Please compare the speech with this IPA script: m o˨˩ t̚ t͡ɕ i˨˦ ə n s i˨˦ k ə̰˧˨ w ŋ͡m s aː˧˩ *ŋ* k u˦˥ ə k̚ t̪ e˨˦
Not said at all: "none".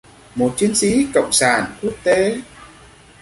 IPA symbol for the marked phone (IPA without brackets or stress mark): n